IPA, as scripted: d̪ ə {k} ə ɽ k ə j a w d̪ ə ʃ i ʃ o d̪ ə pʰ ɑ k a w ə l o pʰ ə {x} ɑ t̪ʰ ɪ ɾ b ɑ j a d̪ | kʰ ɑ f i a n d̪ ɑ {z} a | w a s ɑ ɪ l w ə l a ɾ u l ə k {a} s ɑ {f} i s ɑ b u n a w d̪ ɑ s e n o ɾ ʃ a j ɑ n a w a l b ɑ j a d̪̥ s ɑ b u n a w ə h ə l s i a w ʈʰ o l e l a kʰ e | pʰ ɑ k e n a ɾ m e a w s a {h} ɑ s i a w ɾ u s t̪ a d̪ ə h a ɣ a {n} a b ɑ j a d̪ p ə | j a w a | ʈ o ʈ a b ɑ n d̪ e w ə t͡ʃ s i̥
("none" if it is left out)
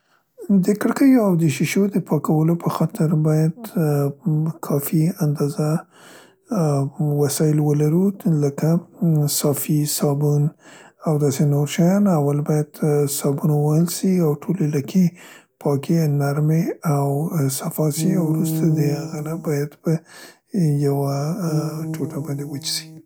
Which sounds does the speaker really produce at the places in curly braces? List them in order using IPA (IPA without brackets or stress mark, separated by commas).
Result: k, x, z, a, f, f, n